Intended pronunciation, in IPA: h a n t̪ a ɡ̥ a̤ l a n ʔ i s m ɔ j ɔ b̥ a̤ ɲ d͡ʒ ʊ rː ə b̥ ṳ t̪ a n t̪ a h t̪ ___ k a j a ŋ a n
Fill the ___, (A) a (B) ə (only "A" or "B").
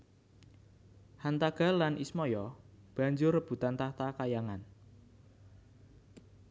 A